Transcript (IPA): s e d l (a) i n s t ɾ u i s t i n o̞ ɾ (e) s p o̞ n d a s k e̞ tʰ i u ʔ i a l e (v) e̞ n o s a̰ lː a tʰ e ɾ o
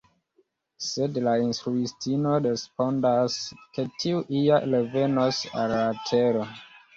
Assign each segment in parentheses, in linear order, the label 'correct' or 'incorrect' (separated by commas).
correct, correct, correct